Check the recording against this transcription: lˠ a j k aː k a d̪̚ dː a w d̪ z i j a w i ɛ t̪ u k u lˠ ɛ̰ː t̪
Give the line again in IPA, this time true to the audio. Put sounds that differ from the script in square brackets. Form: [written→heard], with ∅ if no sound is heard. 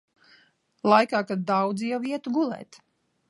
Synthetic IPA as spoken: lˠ a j k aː k a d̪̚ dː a w d̪ z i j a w i ɛ t̪ u [k→ɡ] u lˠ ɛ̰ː t̪

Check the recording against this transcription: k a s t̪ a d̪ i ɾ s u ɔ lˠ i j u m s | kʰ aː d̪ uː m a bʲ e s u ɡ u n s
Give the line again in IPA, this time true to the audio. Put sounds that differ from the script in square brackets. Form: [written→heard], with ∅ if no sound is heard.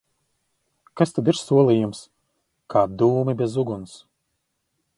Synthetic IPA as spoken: k a s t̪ a d̪ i ɾ s u ɔ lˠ i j u m s | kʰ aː d̪ uː m [a→i] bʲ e [s→z] u ɡ u n s

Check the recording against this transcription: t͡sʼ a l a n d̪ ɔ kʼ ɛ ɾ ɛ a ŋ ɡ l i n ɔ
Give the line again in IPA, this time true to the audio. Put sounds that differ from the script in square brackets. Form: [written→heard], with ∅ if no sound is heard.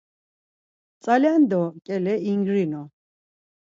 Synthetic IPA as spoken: t͡sʼ a l a n d̪ ɔ kʼ ɛ [ɾ→l] ɛ [a→i] ŋ ɡ [l→ɾ] i n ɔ

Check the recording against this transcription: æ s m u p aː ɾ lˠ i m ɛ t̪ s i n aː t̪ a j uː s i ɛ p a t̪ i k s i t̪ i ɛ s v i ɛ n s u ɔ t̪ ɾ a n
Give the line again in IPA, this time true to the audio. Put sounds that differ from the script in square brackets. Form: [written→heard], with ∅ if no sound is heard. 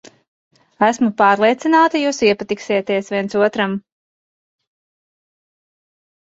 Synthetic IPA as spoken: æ s m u p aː ɾ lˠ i [m→∅] ɛ t̪ s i n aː t̪ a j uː s i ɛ p a t̪ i k s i t̪ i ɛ s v i ɛ n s u ɔ t̪ ɾ a [n→m]

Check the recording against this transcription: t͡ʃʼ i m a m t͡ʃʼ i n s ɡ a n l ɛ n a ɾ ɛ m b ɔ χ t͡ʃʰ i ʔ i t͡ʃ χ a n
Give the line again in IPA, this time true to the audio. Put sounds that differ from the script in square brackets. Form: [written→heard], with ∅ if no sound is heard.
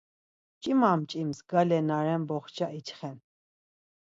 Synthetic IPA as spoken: t͡ʃʼ i m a m t͡ʃʼ i [n→m] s ɡ a [n→∅] l ɛ n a ɾ ɛ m b ɔ χ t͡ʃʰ [i→a] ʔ i t͡ʃ χ [a→ɛ] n

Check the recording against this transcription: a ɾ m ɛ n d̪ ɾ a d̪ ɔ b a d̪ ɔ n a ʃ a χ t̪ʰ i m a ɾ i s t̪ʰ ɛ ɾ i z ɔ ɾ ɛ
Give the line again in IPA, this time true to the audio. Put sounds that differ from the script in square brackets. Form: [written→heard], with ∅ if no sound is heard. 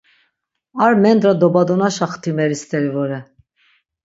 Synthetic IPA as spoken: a ɾ m ɛ n d̪ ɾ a d̪ ɔ b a d̪ ɔ n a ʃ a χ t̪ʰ i m [a→ɛ] ɾ i s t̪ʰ ɛ ɾ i [z→v] ɔ ɾ ɛ

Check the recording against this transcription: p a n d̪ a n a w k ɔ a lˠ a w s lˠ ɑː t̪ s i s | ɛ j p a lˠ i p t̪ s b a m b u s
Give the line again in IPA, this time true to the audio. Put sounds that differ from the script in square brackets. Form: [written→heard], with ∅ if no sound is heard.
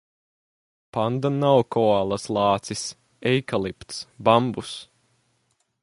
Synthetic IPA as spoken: p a n d̪ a n a w k ɔ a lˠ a [w→∅] s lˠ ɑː t̪ s i s | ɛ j [p→k] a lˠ i p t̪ s b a m b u s

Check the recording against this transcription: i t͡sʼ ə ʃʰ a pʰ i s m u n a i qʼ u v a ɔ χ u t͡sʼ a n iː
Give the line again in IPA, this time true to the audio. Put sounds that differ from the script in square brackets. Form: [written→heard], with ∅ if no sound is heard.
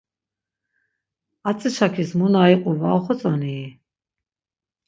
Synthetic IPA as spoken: [i→a] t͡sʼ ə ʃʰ a [pʰ→kʰ] i s m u n a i qʼ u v a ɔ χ [u→ɔ] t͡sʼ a n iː

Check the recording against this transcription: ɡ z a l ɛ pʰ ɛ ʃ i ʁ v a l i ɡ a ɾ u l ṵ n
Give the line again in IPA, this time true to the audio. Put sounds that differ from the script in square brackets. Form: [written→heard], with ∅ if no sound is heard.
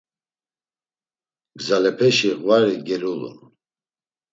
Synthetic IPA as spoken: ɡ z a l ɛ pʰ ɛ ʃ i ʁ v a [l→ɾ] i ɡ [a→ɛ] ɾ u l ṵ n

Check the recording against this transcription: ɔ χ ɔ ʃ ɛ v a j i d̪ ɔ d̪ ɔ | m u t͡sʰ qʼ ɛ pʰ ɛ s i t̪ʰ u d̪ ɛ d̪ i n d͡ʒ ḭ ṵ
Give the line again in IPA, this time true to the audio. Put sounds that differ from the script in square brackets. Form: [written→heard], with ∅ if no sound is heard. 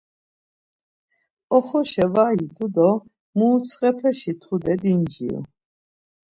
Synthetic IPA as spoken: ɔ χ ɔ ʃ ɛ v a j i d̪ [ɔ→u] d̪ ɔ | m u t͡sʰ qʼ ɛ pʰ ɛ [s→ʃ] i t̪ʰ u d̪ ɛ d̪ i n d͡ʒ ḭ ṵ

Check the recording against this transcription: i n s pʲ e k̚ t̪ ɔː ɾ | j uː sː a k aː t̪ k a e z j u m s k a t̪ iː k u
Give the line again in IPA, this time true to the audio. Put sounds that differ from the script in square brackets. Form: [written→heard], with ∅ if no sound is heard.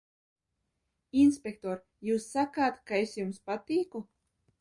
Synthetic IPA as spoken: i n s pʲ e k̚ t̪ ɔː ɾ | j uː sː a k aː t̪ k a e [z→s] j u m s [k→p] a t̪ iː k u

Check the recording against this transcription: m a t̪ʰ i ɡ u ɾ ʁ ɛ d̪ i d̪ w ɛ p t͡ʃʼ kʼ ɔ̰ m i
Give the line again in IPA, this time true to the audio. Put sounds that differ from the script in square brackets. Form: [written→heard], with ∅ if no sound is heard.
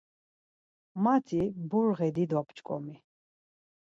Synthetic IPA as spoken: m a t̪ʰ i [ɡ→b] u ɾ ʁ ɛ d̪ i d̪ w [ɛ→a] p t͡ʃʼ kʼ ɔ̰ m i

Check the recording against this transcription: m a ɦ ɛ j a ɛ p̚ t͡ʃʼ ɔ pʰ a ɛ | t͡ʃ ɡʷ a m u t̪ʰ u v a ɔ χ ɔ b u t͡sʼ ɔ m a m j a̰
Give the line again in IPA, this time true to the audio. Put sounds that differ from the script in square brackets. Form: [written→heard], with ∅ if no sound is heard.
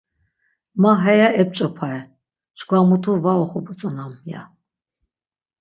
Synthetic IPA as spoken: m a ɦ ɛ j a ɛ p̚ t͡ʃʼ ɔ pʰ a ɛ | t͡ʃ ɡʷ a m u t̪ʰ u v a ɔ χ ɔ b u t͡sʼ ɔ [m→n] a m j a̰

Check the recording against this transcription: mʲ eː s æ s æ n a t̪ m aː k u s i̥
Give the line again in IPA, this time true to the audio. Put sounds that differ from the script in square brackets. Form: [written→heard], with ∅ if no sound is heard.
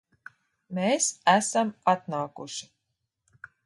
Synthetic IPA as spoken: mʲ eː s æ s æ [n→m] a t̪ [m→n] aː k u [s→ʃ] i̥

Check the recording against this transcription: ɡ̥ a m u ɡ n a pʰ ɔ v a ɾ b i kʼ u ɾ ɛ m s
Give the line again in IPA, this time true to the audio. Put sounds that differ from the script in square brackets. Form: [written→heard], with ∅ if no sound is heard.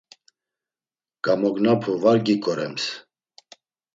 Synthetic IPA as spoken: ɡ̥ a m [u→ɔ] ɡ n a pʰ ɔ v a ɾ [b→ɡ] i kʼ [u→ɔ] ɾ ɛ m s

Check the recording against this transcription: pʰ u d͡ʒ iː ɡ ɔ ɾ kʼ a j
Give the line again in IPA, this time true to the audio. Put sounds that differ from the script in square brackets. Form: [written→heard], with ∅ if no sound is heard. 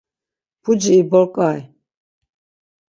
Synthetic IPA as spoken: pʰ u d͡ʒ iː [ɡ→b] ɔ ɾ kʼ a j

